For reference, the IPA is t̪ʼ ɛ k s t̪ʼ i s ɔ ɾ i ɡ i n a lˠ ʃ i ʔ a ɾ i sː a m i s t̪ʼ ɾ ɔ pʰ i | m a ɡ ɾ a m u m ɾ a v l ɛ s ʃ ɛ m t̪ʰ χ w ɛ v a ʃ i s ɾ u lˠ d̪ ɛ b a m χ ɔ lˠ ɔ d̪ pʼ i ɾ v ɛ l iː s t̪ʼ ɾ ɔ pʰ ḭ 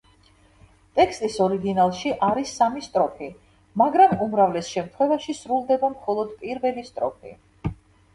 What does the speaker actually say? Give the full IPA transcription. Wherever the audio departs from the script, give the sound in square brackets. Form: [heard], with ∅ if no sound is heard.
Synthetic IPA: t̪ʼ ɛ k s t̪ʼ i s ɔ ɾ i ɡ i n a lˠ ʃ i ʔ a ɾ i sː a m i s t̪ʼ ɾ ɔ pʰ i | m a ɡ ɾ a m u m ɾ a v l ɛ s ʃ ɛ m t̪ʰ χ w ɛ v a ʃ i s ɾ u lˠ d̪ ɛ b a m χ ɔ lˠ ɔ d̪ pʼ i ɾ v ɛ l [i] s t̪ʼ ɾ ɔ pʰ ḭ